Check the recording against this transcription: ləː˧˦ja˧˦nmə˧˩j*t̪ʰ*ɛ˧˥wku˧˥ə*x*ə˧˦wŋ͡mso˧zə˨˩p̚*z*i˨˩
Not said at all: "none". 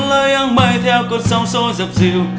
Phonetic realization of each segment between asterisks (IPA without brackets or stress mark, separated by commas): t̪ʰ, s, z